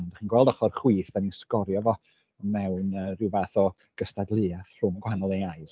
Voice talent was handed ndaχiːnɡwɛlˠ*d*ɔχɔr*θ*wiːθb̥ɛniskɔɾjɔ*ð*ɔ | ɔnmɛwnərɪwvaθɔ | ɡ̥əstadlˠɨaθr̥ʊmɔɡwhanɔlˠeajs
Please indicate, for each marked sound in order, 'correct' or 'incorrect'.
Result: correct, incorrect: χ, incorrect: v

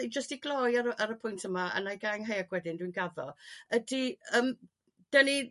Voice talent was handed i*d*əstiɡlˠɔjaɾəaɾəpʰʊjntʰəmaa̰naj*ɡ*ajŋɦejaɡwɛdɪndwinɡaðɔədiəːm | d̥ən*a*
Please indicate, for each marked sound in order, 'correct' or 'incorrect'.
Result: incorrect: d͡ʒ, correct, incorrect: i

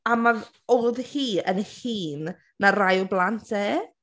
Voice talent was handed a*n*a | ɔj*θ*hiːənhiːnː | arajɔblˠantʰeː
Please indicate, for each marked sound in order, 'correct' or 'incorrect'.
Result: incorrect: m, incorrect: ð

